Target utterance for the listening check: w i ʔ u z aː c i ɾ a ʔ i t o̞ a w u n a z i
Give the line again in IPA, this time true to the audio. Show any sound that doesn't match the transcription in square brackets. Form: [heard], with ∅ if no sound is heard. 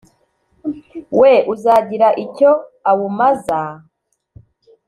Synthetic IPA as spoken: w [e] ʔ u z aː [ɟ] i ɾ a ʔ i [c] o̞ a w u [m] a z [a]